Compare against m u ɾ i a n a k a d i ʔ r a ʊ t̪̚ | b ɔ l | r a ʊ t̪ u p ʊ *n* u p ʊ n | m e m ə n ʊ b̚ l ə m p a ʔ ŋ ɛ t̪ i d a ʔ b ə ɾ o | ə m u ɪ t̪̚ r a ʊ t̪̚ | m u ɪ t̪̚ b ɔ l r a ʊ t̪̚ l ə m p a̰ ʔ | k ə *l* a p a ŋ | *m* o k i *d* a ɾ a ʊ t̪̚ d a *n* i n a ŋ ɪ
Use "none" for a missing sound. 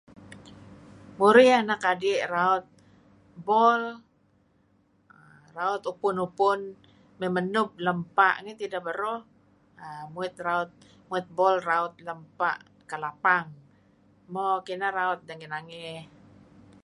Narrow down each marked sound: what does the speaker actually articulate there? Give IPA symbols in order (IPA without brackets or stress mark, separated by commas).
n, l, m, n, ŋ